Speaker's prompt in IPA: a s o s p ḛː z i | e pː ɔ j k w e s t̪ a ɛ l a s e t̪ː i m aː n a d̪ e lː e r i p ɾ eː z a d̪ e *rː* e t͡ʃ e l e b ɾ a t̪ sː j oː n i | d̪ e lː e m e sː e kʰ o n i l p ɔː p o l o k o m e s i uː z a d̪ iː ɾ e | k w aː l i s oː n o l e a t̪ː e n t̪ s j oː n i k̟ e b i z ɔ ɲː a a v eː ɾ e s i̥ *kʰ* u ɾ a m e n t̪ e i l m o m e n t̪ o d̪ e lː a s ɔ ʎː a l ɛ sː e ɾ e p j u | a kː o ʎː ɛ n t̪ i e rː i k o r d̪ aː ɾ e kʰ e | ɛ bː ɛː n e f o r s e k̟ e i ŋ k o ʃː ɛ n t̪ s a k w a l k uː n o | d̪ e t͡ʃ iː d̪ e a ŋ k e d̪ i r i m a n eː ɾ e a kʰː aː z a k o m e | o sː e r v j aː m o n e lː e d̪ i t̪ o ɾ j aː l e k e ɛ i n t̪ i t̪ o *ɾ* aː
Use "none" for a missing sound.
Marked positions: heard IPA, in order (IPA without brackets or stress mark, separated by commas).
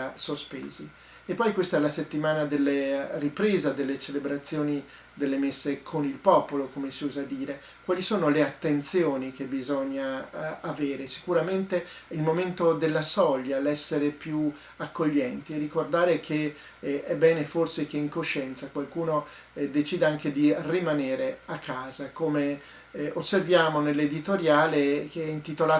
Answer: lː, k, l